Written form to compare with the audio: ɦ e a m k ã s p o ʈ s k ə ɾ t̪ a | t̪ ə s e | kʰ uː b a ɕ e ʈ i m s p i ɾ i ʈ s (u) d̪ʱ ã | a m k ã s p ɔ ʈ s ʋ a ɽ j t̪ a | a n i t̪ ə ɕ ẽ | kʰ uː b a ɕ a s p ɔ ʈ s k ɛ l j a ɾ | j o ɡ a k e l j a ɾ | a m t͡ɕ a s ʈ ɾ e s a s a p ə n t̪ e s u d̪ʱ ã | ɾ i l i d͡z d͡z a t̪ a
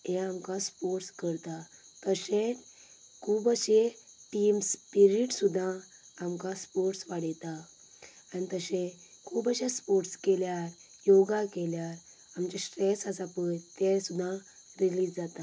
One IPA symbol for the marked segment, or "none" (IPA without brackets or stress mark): u